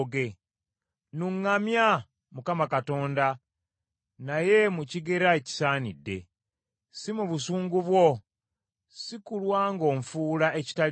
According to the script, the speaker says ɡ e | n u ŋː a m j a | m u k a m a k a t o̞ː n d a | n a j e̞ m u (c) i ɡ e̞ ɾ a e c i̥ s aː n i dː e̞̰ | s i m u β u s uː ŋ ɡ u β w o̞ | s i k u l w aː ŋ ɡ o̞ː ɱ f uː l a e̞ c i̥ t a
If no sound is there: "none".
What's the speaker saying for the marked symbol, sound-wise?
c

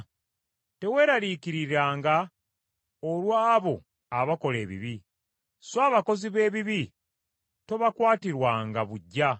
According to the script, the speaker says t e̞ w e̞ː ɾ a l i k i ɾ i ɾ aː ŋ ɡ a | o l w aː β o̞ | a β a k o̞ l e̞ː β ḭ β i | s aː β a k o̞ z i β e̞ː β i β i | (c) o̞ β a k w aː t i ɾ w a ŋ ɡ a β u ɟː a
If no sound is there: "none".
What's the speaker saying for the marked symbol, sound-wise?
t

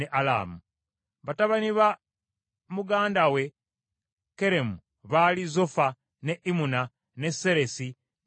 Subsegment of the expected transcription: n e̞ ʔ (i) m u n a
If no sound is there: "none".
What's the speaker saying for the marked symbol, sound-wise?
i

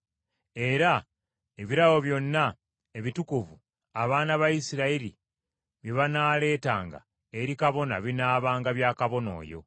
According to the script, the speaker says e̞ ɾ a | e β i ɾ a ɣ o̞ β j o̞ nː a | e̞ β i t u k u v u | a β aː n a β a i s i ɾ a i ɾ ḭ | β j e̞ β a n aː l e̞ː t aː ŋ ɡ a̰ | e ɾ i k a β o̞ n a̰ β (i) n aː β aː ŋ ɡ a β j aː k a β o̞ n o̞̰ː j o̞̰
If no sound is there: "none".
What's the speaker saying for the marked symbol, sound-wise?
i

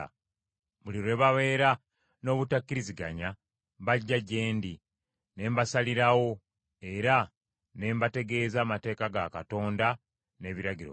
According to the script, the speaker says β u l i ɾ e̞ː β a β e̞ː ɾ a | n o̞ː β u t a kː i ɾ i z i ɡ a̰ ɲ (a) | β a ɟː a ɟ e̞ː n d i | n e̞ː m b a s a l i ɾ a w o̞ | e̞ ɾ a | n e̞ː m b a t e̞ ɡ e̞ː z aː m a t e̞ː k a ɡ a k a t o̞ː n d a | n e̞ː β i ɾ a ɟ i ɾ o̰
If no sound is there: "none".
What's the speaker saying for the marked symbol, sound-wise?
a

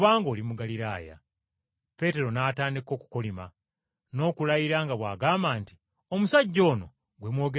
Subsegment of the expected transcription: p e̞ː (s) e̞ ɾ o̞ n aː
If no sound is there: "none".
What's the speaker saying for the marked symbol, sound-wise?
t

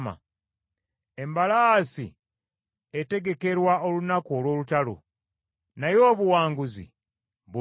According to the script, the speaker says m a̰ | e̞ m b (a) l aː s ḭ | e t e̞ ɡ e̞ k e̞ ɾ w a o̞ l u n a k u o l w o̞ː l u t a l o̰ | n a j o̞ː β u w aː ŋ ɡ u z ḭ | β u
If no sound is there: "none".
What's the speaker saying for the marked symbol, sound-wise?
a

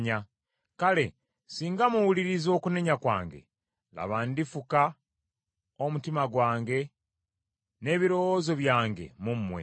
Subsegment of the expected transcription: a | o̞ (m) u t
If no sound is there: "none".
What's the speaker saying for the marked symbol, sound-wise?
m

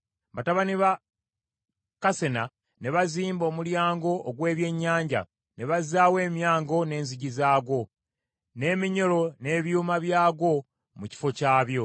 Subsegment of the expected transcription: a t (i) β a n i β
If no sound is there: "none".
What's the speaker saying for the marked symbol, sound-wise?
a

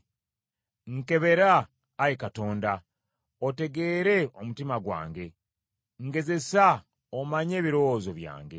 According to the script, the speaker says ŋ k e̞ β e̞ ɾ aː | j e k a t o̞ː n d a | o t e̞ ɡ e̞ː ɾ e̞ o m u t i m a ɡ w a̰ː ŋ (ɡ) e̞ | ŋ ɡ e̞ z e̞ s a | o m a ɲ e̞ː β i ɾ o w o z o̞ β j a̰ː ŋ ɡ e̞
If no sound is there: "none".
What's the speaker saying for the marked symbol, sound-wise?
ɡ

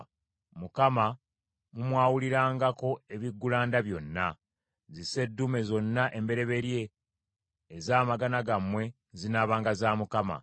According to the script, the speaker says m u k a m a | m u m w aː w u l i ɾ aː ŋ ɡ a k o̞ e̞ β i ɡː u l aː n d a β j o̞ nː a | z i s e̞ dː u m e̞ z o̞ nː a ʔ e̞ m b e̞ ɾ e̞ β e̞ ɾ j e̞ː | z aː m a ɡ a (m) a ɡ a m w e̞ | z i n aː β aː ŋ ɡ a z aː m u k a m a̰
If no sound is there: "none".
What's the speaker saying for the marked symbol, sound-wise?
n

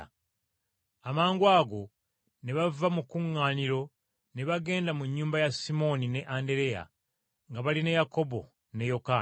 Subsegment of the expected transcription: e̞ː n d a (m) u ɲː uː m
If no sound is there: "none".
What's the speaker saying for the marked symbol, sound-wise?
m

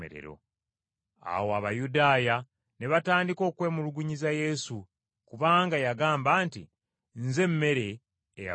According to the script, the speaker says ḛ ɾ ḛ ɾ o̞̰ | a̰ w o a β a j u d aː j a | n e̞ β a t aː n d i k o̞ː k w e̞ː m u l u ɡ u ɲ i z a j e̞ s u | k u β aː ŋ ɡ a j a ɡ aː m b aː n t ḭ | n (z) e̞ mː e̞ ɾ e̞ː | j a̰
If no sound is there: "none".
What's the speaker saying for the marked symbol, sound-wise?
z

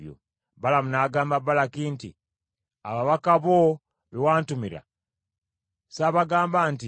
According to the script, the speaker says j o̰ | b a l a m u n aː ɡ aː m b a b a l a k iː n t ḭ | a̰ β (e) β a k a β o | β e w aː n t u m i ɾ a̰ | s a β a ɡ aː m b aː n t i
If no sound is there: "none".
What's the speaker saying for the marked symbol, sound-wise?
a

